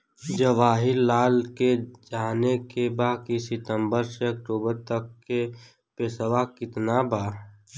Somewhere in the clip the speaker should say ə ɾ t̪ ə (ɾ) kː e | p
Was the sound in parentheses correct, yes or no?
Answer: no